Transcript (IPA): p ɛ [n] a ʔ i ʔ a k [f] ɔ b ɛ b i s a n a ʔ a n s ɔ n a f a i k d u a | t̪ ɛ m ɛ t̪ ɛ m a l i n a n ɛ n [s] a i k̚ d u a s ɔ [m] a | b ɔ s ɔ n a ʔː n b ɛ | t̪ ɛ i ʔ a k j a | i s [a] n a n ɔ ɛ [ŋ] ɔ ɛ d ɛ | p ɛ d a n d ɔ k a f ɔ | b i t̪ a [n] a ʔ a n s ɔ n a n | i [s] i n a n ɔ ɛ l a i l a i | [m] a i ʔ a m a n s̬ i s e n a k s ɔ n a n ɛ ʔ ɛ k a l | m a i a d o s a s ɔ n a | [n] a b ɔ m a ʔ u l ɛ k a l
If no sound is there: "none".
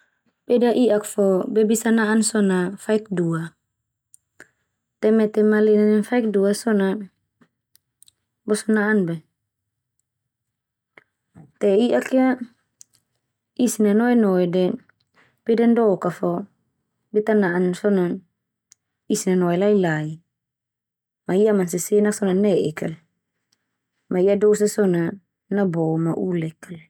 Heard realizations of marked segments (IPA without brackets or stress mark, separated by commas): d, f, f, n, i, n, n, s, m, n